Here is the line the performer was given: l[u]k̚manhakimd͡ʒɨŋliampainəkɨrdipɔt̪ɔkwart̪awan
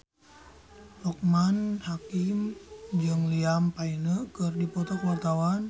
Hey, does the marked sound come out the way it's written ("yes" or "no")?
no